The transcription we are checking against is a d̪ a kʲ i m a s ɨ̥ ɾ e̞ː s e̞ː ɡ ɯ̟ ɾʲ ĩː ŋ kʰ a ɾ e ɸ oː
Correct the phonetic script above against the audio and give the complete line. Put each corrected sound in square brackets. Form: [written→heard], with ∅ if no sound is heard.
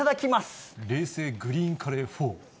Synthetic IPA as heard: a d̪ a kʲ i m a s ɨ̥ ɾ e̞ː s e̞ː ɡ ɯ̟ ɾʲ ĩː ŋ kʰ a ɾ e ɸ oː